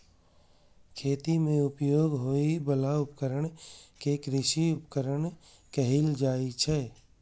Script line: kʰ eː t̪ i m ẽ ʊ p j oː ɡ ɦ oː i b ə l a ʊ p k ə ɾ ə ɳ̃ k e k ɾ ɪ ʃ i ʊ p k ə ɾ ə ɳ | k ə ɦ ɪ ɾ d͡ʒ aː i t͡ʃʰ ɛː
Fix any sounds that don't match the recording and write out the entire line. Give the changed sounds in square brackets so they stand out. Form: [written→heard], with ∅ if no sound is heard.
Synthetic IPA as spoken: kʰ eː t̪ i m ẽ ʊ p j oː ɡ ɦ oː i b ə l a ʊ p k ə ɾ ə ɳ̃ k e k ɾ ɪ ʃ i ʊ p k ə ɾ ə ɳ | k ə ɦ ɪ [ɾ→l] d͡ʒ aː i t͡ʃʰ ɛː